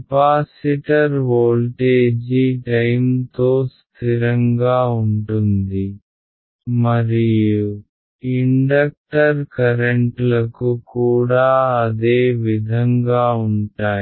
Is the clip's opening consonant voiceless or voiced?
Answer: voiceless